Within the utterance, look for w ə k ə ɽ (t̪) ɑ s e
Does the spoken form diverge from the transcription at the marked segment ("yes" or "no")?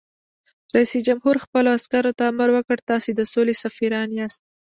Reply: no